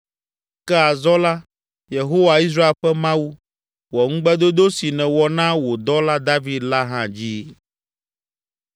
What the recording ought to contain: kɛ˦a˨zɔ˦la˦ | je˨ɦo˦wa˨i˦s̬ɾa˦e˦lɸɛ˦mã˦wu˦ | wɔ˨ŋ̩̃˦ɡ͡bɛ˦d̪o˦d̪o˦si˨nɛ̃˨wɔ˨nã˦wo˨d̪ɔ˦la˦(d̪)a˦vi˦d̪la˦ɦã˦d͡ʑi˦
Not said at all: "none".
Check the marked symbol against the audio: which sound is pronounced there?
d̪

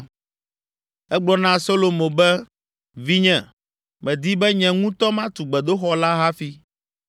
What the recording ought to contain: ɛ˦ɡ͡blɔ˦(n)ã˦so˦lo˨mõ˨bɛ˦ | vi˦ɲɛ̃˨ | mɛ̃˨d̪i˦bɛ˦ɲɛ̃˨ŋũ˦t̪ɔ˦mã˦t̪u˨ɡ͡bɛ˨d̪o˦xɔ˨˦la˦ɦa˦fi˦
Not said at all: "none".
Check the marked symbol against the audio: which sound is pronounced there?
n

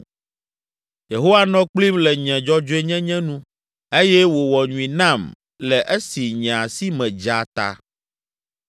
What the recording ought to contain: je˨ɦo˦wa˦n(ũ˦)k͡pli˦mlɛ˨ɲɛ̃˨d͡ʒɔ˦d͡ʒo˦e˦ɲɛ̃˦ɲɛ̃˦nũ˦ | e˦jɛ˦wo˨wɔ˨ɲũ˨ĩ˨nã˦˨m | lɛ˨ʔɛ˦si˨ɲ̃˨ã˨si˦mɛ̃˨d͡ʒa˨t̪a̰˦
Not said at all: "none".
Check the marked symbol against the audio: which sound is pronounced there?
ɔ̃˦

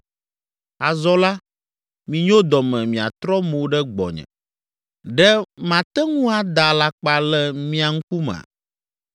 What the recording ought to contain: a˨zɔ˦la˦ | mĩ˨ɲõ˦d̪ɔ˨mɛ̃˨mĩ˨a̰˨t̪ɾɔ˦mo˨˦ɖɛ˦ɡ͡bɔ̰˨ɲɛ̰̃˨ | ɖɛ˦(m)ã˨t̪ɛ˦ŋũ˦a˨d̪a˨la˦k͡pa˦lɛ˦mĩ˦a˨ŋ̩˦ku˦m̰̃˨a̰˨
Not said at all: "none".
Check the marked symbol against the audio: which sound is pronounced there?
m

